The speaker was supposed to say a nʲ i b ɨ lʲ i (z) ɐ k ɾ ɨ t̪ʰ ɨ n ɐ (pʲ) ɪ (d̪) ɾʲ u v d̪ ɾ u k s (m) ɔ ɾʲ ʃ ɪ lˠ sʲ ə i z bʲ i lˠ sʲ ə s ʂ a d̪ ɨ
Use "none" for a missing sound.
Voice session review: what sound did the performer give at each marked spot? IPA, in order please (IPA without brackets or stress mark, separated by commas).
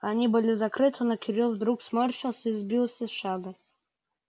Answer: z, kʲ, none, m